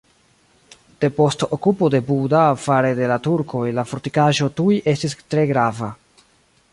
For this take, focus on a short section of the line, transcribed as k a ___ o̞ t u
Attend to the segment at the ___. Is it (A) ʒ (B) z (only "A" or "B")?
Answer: A